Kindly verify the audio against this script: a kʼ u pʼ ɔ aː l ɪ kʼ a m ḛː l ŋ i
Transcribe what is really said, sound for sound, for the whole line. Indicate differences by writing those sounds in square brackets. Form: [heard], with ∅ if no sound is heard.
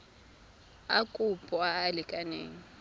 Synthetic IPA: a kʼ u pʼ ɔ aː l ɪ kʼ a [n] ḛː [∅] ŋ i